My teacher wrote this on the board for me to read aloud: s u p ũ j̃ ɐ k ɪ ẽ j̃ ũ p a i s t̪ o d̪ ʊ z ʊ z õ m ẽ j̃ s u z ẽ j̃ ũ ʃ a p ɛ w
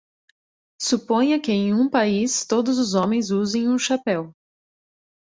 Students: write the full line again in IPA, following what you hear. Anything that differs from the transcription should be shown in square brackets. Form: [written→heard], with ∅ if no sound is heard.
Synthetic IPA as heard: s u p [ũ→õ] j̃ ɐ k ɪ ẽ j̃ ũ p a i s t̪ o d̪ ʊ z ʊ z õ m ẽ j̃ [s→z] u z ẽ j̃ ũ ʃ a p ɛ w